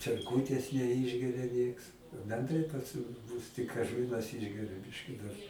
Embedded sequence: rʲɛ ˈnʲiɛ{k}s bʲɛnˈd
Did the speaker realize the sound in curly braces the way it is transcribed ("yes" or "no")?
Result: yes